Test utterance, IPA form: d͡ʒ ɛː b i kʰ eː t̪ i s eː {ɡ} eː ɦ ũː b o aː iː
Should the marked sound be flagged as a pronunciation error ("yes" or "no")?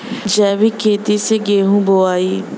no